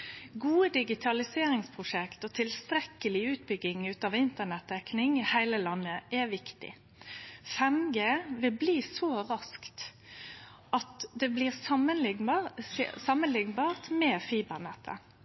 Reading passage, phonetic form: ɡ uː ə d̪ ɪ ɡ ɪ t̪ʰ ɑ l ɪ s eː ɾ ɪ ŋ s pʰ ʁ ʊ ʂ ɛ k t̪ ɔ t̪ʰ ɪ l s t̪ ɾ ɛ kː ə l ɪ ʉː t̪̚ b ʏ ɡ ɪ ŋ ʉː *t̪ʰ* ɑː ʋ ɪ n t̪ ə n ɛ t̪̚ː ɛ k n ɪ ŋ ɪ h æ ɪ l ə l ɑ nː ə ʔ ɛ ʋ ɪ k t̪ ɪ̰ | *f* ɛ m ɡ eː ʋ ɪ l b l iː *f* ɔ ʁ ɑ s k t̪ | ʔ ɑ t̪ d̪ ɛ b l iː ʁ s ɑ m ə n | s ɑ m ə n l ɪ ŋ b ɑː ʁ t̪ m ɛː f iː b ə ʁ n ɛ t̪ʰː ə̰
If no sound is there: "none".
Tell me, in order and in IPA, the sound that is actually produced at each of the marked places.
t̪, f, s

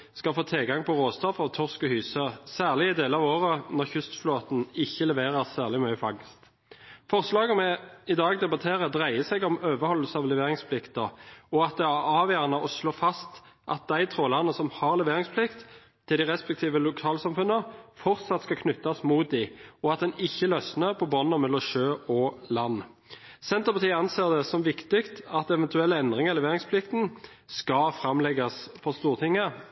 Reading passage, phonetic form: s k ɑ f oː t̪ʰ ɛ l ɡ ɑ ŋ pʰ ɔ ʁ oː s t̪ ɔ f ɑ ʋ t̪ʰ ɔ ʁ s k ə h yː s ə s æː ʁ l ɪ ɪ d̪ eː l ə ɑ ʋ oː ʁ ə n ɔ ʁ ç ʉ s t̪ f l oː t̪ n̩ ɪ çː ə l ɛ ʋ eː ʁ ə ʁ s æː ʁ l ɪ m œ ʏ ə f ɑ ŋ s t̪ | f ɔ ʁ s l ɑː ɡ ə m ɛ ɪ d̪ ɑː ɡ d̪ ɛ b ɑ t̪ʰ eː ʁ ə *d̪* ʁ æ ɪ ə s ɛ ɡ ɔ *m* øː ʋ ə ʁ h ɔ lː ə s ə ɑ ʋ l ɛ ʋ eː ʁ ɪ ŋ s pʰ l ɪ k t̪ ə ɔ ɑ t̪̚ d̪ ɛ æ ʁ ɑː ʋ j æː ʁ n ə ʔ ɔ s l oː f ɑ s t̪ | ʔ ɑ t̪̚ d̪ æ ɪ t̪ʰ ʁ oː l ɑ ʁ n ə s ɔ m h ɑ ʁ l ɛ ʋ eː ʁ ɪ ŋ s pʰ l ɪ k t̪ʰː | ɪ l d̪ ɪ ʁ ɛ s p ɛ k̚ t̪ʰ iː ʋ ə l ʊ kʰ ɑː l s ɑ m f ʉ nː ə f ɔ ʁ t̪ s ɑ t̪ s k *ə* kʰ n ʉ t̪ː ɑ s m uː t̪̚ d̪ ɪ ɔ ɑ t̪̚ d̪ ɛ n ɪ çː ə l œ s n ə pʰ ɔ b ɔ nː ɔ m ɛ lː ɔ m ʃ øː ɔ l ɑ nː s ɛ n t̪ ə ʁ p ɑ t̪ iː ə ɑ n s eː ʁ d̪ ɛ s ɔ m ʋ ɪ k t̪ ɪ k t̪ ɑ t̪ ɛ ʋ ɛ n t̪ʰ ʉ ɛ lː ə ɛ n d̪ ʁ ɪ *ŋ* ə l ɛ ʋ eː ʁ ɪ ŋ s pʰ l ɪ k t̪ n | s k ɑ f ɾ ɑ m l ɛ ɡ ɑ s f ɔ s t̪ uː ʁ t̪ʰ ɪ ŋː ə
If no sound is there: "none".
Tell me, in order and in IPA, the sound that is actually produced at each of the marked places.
d̪, m, ɑ, ŋ

